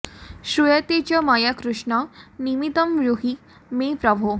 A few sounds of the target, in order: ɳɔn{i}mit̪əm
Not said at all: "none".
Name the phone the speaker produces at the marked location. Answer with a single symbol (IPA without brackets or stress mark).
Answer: i